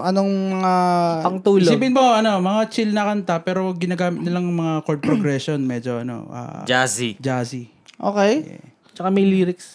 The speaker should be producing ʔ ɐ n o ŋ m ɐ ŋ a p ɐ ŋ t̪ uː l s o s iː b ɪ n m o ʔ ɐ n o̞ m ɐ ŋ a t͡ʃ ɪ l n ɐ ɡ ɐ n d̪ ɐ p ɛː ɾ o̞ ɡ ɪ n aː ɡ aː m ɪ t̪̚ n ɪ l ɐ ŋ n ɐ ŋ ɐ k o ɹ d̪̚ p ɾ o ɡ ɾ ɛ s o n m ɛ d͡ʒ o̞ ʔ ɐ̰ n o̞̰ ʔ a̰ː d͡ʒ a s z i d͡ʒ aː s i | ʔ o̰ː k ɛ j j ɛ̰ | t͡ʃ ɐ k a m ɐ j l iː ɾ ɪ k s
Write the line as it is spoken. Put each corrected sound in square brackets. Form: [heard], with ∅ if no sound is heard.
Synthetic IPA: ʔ ɐ n o ŋ m ɐ ŋ a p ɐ ŋ t̪ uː l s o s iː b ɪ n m o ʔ ɐ n o̞ m ɐ ŋ a t͡ʃ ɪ l n ɐ [k] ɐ n [t̪] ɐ p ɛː ɾ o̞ ɡ ɪ n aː ɡ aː m ɪ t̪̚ n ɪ l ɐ ŋ [m] ɐ ŋ [a] k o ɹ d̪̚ p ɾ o ɡ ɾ ɛ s o n m ɛ d͡ʒ o̞ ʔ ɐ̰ n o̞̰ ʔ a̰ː d͡ʒ a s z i d͡ʒ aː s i | ʔ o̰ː k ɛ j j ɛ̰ | t͡ʃ ɐ k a m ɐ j l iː ɾ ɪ k s